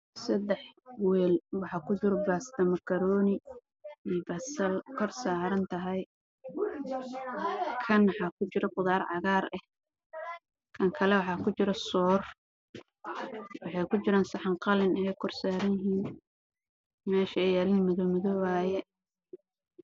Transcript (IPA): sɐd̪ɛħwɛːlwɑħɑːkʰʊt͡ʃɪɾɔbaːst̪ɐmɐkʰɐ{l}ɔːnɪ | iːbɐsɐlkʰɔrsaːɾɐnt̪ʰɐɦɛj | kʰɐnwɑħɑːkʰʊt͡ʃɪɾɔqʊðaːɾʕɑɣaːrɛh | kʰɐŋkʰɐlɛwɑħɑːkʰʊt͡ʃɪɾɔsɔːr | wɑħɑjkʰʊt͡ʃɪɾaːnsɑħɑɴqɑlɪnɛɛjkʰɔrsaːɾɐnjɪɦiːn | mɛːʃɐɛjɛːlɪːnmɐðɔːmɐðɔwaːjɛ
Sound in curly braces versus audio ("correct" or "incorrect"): incorrect